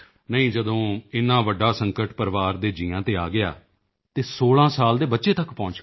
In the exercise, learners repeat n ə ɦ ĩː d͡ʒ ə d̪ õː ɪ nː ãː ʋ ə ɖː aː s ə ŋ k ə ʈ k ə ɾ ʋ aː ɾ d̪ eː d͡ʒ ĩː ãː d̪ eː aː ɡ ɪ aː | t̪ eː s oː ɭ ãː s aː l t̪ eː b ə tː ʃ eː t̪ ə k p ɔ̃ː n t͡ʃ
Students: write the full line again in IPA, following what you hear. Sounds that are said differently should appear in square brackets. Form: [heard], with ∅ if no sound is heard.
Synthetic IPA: n ə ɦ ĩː d͡ʒ ə d̪ õː ɪ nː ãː ʋ ə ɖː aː s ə ŋ k ə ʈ [p] ə ɾ ʋ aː ɾ d̪ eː d͡ʒ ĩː ãː [t̪] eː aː ɡ ɪ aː | t̪ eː s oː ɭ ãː s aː l [d̪] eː b ə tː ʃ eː t̪ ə k p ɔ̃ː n t͡ʃ